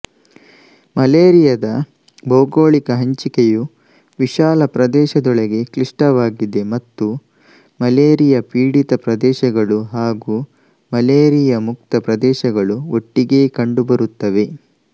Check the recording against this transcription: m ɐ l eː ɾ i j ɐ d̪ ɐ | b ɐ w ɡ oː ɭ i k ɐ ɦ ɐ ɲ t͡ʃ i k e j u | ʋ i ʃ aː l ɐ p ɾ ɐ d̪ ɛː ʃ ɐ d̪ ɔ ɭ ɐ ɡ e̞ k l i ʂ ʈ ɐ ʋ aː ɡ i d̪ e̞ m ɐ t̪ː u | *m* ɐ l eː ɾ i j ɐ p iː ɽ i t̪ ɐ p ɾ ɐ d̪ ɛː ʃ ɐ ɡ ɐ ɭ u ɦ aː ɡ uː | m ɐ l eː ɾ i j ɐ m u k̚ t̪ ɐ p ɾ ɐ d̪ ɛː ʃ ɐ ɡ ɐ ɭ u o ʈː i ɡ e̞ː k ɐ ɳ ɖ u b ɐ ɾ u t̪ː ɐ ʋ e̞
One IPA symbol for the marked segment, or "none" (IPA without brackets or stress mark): m